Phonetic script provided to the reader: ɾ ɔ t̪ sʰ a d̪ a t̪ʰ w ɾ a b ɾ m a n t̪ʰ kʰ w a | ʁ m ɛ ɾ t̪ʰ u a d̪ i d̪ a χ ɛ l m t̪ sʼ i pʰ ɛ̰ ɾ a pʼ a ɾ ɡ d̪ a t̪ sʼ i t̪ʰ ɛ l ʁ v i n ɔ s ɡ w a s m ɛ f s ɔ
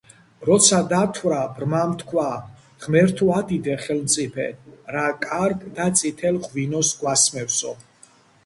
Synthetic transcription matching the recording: ɾ ɔ t̪ sʰ a d̪ a t̪ʰ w ɾ a b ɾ m a m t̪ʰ kʰ w a | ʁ m ɛ ɾ t̪ʰ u a d̪ i d̪ ɛ χ ɛ l m t̪ sʼ i pʰ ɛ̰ ɾ a kʼ a ɾ ɡ d̪ a t̪ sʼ i t̪ʰ ɛ l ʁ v i n ɔ s ɡ w a s m ɛ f s ɔ